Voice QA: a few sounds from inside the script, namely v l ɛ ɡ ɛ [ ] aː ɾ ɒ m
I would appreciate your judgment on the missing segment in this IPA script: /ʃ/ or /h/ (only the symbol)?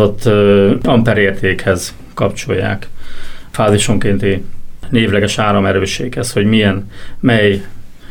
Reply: ʃ